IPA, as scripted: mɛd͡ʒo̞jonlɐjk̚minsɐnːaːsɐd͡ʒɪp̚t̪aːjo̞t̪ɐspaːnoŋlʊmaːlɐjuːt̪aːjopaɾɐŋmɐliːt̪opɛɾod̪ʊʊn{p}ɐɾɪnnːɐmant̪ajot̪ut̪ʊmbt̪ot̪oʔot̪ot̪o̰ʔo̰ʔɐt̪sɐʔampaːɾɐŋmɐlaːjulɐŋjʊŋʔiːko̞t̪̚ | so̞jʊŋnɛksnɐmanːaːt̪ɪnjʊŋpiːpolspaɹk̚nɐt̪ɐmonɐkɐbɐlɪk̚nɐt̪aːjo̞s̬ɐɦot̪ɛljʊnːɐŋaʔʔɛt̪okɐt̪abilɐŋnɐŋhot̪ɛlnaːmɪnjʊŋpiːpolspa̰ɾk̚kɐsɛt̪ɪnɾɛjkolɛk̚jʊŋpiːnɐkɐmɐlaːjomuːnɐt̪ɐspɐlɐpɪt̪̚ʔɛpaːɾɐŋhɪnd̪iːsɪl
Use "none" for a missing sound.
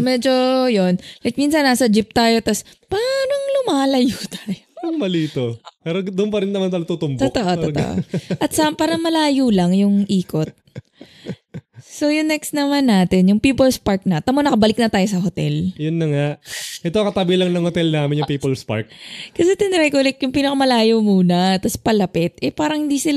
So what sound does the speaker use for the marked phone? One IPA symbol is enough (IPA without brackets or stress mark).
p